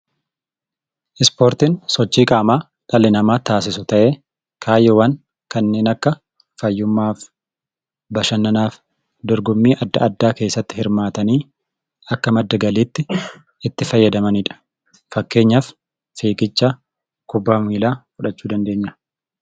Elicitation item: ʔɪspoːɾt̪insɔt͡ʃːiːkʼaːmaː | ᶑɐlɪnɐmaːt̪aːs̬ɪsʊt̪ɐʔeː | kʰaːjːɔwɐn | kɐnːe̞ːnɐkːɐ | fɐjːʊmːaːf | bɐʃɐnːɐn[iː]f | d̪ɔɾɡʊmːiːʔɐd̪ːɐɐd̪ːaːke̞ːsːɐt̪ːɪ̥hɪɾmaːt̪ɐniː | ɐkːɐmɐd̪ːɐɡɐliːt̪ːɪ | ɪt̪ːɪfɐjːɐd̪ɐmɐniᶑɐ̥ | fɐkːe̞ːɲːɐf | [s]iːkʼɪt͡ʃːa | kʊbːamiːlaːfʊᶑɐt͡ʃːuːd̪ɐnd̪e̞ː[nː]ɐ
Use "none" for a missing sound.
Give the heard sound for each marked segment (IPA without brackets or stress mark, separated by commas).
aː, f, ɲː